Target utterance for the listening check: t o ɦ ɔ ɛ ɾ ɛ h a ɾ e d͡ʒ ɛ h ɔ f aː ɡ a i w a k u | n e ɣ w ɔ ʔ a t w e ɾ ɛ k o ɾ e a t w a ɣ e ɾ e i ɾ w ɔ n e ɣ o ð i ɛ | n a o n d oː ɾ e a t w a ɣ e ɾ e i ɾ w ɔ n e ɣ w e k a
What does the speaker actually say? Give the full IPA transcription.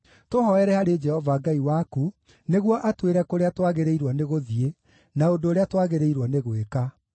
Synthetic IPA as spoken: t o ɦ ɔ ɛ ɾ ɛ h a ɾ e d͡ʒ ɛ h ɔ v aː ɡ a i w a k u | n e ɣ w ɔ ʔ a t w e ɾ ɛ k o ɾ e a t w a ɣ e ɾ e i ɾ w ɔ n e ɣ o ð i e | n a o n d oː ɾ e a t w a ɣ e ɾ e i ɾ w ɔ n e ɣ w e k a